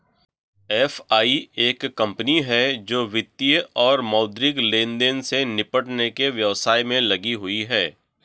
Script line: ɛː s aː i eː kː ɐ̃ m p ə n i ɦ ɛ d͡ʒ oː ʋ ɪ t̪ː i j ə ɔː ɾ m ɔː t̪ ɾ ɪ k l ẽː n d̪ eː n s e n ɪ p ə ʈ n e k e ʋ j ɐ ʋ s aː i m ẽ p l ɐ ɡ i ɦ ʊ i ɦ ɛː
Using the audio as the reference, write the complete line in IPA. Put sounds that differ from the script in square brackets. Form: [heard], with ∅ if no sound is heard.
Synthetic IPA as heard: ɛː [f] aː i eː kː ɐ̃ m p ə n i ɦ ɛ d͡ʒ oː ʋ ɪ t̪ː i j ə ɔː ɾ m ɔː [d̪] ɾ ɪ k l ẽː n d̪ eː n s e n ɪ p ə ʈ n e k e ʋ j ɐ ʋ s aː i m ẽ [∅] l ɐ ɡ i ɦ ʊ i ɦ ɛː